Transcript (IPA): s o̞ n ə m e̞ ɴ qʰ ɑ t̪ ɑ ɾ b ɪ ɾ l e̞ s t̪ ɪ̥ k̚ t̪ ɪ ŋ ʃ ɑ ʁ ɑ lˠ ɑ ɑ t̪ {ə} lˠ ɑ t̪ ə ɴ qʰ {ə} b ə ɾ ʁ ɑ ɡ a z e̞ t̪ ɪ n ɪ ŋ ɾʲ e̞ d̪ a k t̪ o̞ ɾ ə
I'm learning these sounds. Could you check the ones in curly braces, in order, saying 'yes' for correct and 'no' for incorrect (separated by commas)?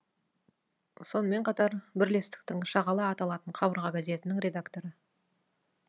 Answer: no, no